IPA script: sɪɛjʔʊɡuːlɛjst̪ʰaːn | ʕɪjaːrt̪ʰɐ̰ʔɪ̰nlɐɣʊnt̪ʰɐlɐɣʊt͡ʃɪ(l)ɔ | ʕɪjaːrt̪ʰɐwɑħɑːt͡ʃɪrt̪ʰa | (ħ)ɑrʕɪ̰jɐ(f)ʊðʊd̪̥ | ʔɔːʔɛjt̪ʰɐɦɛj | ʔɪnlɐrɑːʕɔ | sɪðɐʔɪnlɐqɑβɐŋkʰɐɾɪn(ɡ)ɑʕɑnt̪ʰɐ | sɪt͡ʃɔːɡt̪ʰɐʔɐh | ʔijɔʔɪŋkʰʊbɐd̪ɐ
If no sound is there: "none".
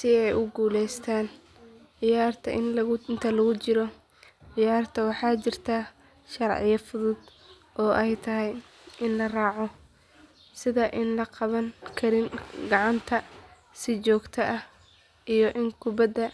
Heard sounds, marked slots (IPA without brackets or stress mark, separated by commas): ɾ, ʃ, f, ɡ